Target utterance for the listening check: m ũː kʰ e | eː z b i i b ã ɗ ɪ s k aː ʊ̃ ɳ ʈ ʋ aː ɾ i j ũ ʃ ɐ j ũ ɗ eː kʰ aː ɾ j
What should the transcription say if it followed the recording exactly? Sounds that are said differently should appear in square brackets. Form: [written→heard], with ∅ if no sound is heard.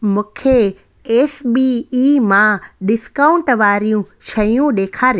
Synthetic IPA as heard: m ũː kʰ e | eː [z→s] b i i [b→m] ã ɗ ɪ s k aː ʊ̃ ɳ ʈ ʋ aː ɾ i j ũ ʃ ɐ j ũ ɗ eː kʰ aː ɾ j